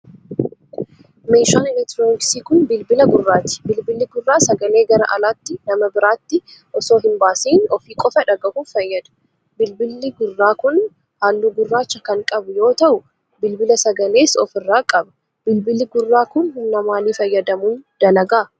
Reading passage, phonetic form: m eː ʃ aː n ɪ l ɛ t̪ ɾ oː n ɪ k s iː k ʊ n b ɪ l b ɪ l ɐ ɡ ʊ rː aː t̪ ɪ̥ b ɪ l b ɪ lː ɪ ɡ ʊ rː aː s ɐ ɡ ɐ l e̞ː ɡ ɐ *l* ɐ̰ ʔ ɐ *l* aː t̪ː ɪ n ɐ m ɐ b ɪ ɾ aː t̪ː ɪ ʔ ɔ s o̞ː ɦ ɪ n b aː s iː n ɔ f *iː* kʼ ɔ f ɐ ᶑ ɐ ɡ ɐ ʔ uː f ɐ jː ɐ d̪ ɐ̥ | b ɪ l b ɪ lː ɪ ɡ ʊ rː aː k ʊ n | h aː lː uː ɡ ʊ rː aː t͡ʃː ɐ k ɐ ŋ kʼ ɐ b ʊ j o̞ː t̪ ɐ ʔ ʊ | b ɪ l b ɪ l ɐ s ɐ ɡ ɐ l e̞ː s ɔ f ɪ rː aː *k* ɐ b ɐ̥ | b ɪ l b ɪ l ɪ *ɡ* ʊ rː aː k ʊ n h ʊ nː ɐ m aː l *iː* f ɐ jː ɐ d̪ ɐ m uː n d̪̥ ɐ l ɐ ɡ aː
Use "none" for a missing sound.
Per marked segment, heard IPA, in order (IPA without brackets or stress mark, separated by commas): ɾ, l, iː, kʼ, ɡ, iː